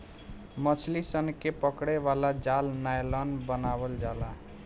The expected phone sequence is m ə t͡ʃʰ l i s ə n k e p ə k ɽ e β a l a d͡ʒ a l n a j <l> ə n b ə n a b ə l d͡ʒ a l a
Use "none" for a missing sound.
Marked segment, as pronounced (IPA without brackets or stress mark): l